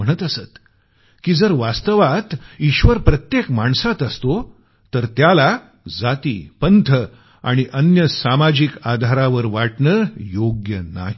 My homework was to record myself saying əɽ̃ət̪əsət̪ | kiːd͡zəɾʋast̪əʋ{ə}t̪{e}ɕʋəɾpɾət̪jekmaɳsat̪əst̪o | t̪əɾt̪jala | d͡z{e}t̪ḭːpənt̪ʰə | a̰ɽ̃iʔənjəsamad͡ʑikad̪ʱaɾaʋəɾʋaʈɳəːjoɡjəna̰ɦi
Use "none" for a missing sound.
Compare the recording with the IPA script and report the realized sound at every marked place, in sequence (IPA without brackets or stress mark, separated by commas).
a, i, a